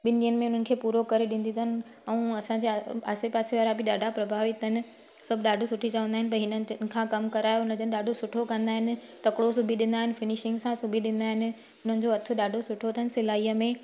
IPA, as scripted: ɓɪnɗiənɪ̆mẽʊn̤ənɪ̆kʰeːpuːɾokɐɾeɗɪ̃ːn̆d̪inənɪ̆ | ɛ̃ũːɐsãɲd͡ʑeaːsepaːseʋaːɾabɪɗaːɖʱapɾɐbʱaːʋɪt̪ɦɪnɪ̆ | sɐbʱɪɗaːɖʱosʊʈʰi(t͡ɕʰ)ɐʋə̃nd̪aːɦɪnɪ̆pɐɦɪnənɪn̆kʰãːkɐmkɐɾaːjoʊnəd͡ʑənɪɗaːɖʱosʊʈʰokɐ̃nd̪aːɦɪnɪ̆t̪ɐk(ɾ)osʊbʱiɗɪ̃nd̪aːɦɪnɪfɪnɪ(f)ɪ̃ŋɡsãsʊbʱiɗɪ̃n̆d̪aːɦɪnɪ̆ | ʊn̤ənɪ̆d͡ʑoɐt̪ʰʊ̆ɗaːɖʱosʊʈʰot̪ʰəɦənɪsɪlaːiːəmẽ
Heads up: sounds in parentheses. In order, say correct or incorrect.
incorrect: t͡ɕ, incorrect: ɽ, incorrect: ʃ

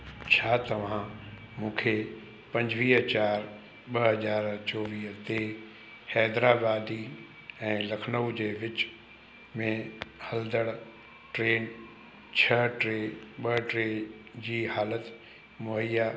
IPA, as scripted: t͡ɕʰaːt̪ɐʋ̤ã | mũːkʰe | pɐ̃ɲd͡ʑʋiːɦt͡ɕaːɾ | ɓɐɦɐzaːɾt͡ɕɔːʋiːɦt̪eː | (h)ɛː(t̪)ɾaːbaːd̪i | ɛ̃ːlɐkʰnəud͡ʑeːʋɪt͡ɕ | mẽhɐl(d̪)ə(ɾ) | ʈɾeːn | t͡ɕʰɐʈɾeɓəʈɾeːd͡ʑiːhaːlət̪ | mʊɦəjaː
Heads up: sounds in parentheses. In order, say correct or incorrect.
correct, incorrect: d̪, correct, incorrect: ɽ

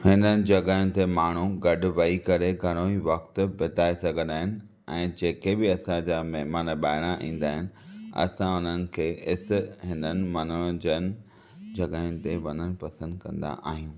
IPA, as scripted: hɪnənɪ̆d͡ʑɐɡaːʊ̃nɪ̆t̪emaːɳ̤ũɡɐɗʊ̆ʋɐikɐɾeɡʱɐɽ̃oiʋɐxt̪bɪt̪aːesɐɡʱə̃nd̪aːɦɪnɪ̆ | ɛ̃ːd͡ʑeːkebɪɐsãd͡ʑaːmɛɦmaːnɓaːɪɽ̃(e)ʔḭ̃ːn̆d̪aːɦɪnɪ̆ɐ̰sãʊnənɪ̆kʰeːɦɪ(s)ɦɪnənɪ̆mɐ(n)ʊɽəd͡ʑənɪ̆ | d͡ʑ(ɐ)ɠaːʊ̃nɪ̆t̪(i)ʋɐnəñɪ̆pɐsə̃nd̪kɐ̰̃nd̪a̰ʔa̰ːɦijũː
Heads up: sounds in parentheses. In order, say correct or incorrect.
incorrect: a, correct, correct, correct, incorrect: e

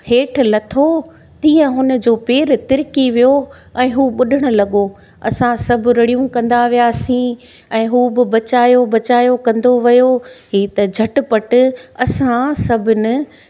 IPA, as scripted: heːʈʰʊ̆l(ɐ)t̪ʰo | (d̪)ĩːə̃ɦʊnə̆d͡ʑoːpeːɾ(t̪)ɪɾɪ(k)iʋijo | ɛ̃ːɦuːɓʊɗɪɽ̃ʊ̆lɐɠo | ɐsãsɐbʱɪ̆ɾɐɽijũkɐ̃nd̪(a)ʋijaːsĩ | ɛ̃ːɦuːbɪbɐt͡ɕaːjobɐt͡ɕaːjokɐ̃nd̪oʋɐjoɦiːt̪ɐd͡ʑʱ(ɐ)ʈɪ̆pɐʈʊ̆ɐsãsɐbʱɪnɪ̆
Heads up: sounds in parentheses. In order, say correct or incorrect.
correct, incorrect: t̪, correct, correct, correct, correct

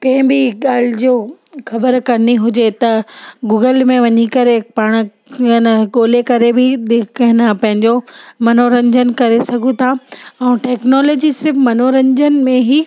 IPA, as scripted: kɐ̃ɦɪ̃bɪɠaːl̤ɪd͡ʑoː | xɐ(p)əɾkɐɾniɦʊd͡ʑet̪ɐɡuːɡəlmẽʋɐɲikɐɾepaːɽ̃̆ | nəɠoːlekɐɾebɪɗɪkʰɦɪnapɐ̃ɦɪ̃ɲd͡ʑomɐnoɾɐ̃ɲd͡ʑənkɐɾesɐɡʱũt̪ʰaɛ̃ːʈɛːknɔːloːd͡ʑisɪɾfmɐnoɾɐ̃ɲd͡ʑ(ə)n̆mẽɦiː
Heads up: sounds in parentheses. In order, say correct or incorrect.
incorrect: b, correct

